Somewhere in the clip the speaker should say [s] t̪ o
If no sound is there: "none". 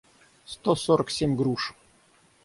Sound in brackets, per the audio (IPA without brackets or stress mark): s